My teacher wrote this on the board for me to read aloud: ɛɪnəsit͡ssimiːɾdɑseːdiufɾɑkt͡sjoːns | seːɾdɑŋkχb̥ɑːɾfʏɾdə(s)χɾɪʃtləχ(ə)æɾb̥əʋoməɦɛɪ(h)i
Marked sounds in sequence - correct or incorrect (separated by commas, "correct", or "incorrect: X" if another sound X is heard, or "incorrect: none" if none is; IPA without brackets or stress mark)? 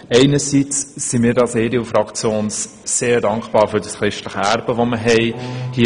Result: correct, correct, correct